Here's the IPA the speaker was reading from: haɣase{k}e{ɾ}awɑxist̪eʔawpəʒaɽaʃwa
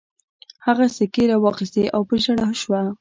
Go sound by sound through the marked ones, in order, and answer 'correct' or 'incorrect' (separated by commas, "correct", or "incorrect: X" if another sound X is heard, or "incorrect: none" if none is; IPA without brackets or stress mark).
correct, correct